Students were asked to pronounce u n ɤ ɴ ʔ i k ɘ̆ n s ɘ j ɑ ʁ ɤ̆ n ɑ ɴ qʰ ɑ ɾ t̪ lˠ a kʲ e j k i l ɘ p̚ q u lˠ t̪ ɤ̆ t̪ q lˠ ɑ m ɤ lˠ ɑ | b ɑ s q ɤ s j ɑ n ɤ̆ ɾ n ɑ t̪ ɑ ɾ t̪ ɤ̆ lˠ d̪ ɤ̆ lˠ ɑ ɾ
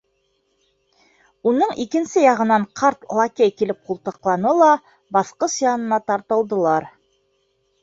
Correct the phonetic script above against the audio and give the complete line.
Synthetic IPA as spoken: u n ɤ ɴ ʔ i k ɘ̆ n s ɘ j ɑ ʁ ɤ̆ n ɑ ɴ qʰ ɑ ɾ t̪ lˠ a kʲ e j k i l ɘ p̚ q u lˠ t̪ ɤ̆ q lˠ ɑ n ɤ lˠ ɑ | b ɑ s q ɤ s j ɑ n ɤ̆ n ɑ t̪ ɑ ɾ t̪ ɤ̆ lˠ d̪ ɤ̆ lˠ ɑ ɾ